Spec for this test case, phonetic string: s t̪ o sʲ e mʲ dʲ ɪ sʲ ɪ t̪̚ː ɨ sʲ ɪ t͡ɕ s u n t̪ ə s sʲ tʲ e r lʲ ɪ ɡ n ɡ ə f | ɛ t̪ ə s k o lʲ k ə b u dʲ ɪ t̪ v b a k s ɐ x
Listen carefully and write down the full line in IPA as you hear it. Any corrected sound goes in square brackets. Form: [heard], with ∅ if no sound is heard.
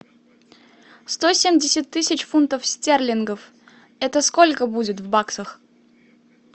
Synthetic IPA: s t̪ o sʲ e mʲ dʲ ɪ sʲ ɪ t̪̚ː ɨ sʲ ɪ t͡ɕ [f] u n t̪ ə [f] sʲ tʲ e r lʲ ɪ [∅] n ɡ ə f | ɛ t̪ ə s k o lʲ k ə b u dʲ ɪ t̪ v b a k s [ə] x